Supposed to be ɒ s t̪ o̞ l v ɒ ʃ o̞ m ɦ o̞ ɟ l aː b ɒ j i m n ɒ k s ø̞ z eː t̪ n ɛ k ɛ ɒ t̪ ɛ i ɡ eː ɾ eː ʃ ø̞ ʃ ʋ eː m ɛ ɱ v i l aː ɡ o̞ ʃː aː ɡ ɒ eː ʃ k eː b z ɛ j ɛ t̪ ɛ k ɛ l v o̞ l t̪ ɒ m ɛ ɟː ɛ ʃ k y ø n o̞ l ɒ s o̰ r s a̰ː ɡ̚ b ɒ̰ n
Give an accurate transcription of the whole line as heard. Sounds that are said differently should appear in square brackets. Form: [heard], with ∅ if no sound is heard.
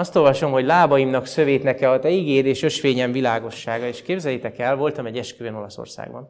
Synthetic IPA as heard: ɒ s t̪ o̞ l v ɒ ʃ o̞ m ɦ o̞ ɟ l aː b ɒ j i m n ɒ k s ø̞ [v] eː t̪ n ɛ k ɛ ɒ t̪ ɛ i ɡ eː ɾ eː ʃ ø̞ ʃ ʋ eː [ɲ] ɛ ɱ v i l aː ɡ o̞ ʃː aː ɡ ɒ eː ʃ k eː b z ɛ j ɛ t̪ ɛ k ɛ l v o̞ l t̪ ɒ m ɛ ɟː ɛ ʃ k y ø n o̞ l ɒ s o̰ r s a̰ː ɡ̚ b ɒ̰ n